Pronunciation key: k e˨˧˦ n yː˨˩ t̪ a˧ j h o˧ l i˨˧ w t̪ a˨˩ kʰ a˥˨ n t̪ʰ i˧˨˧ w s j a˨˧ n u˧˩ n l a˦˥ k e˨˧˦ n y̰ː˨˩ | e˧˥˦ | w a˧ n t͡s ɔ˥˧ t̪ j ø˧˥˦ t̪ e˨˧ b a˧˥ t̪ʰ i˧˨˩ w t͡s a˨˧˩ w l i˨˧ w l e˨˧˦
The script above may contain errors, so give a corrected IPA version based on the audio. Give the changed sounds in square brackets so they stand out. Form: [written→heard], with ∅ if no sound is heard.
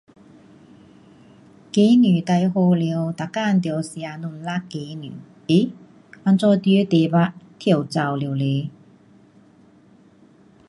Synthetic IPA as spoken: k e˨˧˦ n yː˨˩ t̪ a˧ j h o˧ l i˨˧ w t̪ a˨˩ [kʰ→k] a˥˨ n [t̪ʰ→t̪] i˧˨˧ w s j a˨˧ n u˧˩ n l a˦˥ k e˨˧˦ n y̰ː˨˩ | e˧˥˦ | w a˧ n t͡s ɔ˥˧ t̪ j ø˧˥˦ t̪ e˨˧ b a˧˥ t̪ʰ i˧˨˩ w t͡s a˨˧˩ w l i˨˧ w l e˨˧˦